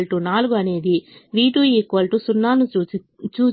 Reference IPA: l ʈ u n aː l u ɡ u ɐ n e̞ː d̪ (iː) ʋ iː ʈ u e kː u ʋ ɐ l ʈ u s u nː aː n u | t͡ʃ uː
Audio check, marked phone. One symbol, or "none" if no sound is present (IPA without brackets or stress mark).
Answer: i